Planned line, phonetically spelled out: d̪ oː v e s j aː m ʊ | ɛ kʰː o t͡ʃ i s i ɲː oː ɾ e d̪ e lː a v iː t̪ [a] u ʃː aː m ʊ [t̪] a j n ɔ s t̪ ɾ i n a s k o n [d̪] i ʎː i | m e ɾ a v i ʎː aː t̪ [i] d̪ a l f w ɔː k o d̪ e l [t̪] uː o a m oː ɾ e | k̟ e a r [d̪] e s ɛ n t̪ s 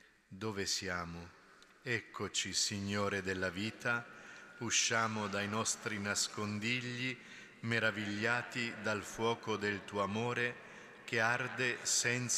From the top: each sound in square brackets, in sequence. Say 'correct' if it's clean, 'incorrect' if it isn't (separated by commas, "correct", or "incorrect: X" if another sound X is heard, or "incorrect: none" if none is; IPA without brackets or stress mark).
correct, incorrect: d̪, correct, correct, correct, correct